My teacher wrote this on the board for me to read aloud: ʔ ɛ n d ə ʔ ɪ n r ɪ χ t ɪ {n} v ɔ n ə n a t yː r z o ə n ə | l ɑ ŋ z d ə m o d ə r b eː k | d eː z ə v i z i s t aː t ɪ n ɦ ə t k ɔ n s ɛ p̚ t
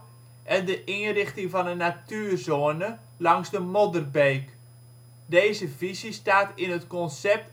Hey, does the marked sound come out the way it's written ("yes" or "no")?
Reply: no